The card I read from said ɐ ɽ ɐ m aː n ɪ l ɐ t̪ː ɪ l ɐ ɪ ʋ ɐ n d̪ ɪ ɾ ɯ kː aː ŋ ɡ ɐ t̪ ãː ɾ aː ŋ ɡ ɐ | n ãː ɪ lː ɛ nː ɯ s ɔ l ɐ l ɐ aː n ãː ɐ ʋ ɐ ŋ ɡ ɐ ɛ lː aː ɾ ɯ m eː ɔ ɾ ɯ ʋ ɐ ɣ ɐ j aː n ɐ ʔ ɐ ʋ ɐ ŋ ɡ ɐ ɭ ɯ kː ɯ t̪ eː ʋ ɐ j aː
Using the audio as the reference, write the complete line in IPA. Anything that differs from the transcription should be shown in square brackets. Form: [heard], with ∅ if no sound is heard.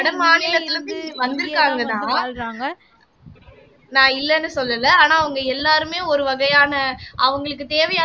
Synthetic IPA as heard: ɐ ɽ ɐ m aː n ɪ l ɐ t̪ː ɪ l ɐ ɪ ʋ ɐ n d̪ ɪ ɾ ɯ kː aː ŋ ɡ ɐ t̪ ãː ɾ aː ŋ ɡ ɐ | n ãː ɪ lː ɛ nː ɯ s ɔ [lː] ɐ l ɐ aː n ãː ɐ ʋ ɐ ŋ ɡ ɐ ɛ lː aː ɾ ɯ m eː ɔ ɾ ɯ ʋ ɐ ɣ ɐ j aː n ɐ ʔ ɐ ʋ ɐ ŋ ɡ ɐ ɭ ɯ kː ɯ t̪ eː ʋ ɐ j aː